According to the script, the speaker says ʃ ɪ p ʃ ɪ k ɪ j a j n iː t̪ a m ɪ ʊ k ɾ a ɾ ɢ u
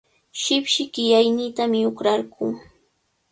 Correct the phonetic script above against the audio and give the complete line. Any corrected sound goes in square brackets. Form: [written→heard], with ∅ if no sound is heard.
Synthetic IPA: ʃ ɪ p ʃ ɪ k ɪ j a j n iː t̪ a m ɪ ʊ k ɾ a ɾ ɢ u